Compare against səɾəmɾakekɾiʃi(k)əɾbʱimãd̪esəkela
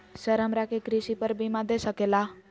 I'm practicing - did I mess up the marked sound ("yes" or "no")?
yes